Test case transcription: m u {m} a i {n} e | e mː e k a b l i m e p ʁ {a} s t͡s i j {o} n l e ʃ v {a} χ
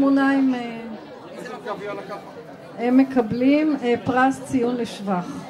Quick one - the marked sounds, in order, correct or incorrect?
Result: incorrect: n, incorrect: m, correct, incorrect: u, correct

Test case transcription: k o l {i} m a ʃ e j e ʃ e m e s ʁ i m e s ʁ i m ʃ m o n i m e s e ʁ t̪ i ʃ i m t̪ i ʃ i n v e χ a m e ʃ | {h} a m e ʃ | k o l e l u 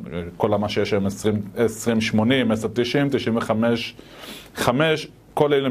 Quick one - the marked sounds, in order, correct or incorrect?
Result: incorrect: a, incorrect: χ

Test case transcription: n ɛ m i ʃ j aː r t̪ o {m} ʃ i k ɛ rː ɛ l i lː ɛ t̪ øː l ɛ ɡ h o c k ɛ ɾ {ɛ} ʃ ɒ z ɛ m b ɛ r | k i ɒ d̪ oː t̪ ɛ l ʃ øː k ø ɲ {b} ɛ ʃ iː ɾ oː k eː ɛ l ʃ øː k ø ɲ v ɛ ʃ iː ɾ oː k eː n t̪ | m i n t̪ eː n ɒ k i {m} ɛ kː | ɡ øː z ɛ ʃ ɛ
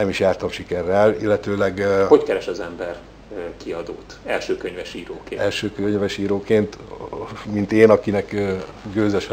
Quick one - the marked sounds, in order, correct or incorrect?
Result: correct, correct, incorrect: v, incorrect: n

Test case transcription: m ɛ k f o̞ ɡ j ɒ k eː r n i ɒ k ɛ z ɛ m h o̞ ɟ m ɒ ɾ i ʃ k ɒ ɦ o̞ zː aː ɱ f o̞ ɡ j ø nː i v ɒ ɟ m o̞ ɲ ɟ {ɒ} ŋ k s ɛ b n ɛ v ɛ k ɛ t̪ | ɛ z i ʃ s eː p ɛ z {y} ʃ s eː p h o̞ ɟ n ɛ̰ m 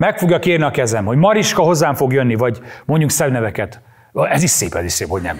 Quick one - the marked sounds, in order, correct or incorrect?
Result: incorrect: u, incorrect: i

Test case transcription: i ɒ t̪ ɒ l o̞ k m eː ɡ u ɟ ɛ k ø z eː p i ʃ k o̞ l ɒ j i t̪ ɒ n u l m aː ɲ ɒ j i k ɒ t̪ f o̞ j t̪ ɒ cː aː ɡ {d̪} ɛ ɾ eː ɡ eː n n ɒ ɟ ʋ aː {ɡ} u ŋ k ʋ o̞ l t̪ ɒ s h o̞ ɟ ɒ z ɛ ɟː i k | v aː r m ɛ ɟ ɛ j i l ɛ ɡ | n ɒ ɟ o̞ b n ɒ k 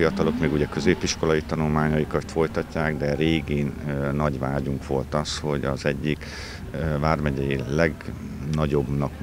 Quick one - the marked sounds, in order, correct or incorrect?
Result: correct, incorrect: ɟ

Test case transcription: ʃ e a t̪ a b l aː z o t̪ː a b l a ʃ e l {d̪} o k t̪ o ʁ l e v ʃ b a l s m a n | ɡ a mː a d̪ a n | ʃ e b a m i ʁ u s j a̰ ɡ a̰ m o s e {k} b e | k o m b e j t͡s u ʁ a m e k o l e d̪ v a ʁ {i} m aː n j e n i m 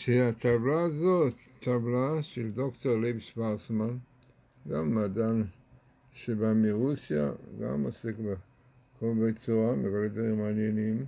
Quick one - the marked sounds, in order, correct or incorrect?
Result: correct, correct, correct

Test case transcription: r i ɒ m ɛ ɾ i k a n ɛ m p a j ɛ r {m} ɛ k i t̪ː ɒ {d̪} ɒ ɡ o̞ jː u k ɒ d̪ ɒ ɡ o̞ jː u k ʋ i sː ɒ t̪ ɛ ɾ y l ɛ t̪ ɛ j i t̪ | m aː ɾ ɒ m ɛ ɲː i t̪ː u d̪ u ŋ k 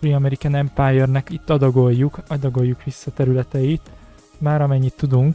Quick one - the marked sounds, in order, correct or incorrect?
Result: incorrect: n, correct

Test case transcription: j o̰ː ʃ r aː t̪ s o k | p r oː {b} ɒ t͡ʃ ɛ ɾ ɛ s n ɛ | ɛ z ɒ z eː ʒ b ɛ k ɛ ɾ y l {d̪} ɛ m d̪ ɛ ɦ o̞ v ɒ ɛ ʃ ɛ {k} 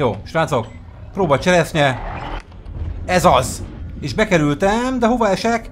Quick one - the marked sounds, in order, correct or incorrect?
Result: correct, incorrect: t̪, correct

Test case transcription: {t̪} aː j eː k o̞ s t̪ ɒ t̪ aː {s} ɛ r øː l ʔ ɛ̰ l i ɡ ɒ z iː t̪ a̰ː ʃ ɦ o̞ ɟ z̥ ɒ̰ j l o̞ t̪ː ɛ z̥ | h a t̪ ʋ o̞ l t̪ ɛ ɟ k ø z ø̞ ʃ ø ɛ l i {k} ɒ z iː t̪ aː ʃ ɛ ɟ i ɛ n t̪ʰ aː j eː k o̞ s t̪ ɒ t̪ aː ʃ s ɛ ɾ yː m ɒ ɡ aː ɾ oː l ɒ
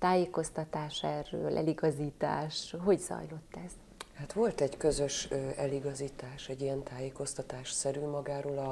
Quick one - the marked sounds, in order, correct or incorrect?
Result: correct, incorrect: ʃ, incorrect: ɡ

